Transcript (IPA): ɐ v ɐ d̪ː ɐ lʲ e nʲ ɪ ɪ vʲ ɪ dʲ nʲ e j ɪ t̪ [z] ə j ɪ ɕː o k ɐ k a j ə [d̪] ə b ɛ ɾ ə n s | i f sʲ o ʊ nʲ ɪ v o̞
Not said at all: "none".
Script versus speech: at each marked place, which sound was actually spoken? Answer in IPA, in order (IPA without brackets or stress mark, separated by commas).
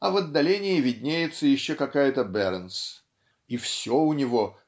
s, t̪